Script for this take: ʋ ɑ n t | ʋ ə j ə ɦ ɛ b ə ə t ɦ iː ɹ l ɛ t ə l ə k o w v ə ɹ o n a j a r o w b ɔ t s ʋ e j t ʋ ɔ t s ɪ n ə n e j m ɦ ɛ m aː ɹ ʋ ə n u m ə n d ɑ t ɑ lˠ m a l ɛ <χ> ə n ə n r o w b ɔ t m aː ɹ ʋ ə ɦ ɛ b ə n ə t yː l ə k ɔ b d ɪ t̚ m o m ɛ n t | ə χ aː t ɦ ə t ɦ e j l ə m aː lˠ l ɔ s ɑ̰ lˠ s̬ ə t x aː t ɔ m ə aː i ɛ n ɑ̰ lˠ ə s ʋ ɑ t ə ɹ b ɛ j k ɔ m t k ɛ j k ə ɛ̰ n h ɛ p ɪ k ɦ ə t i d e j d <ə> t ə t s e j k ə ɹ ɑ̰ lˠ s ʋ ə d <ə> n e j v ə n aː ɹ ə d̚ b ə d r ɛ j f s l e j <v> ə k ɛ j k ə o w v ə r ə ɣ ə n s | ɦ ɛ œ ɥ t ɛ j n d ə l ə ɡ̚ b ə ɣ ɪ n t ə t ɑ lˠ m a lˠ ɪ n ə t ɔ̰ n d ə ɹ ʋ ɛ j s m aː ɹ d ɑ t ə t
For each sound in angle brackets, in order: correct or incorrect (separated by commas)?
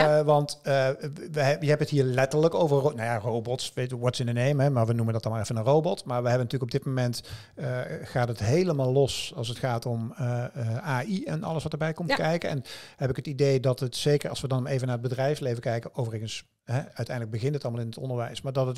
incorrect, incorrect, incorrect, correct